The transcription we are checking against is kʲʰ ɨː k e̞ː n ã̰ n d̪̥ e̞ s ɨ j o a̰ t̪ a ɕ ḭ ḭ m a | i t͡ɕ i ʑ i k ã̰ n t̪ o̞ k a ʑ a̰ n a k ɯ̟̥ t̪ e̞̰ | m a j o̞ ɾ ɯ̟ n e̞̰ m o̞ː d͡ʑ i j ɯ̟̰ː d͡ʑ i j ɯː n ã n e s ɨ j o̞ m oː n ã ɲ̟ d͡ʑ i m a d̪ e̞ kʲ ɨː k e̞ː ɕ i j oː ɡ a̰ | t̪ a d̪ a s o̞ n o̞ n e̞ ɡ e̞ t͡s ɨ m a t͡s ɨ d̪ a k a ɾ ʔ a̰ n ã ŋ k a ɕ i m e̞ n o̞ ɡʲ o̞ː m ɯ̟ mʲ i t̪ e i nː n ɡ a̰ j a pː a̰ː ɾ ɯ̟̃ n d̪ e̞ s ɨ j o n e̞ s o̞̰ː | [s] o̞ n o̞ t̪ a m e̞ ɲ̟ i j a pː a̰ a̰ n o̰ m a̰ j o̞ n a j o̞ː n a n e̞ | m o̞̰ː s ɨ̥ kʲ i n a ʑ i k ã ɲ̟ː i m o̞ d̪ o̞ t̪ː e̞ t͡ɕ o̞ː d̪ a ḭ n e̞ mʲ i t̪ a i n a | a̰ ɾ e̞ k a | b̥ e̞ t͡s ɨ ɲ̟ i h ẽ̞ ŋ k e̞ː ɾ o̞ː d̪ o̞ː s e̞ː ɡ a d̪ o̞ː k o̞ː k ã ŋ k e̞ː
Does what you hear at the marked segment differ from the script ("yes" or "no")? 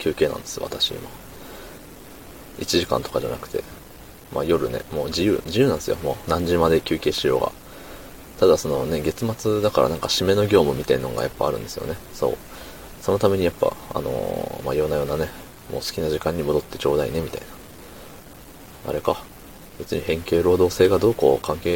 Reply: no